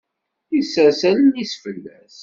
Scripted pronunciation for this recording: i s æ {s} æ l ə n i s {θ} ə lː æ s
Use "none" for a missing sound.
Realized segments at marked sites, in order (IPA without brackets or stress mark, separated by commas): s, f